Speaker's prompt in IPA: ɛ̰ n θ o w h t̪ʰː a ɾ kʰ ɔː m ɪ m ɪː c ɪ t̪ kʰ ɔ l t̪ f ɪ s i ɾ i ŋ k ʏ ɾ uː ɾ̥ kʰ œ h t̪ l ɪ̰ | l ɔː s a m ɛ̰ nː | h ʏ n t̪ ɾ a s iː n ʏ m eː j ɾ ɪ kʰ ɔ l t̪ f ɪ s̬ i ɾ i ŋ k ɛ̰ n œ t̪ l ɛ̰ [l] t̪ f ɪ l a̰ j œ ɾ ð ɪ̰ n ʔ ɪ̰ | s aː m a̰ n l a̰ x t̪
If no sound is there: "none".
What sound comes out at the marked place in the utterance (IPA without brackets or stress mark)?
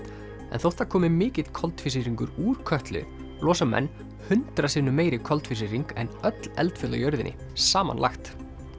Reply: l